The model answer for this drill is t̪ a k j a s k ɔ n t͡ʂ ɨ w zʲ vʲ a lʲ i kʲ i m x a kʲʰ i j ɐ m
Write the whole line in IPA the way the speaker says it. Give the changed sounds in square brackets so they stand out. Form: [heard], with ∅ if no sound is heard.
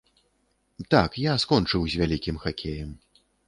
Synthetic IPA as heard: t̪ a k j a s k ɔ n t͡ʂ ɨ w zʲ vʲ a lʲ i kʲ i m x a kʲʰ [e] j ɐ m